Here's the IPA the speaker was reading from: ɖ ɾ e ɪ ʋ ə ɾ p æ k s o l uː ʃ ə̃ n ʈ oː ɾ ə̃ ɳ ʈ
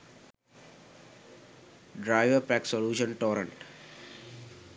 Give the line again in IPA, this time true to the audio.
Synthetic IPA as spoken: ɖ ɾ a ɪ ʋ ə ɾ p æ k s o l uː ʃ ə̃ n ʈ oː ɾ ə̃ ɳ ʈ